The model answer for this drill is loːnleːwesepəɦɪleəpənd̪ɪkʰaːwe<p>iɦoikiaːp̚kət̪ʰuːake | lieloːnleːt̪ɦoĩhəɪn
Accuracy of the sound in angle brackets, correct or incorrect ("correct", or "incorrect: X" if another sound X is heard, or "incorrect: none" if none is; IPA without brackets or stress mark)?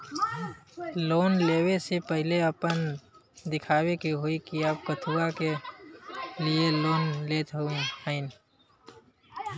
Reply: incorrect: k